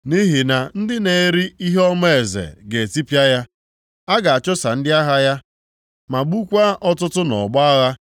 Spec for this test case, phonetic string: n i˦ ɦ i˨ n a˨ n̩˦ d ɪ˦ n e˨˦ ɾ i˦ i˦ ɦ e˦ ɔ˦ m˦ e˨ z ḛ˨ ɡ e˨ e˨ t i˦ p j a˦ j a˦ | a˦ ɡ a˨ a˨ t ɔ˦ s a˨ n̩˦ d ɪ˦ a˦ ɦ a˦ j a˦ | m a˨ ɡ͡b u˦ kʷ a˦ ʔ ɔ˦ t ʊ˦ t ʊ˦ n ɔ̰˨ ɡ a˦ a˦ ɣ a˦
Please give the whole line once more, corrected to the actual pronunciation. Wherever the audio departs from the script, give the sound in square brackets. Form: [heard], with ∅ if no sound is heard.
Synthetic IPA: n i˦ ɦ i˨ n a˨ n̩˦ d ɪ˦ n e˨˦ ɾ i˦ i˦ ɦ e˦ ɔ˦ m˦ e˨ z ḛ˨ ɡ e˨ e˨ t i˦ p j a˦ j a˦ | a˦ ɡ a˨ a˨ [t͡ʃ] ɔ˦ s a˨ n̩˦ d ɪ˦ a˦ ɦ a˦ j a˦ | m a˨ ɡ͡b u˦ kʷ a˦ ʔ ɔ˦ t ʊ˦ t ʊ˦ n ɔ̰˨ [ɡ͡b] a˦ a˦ ɣ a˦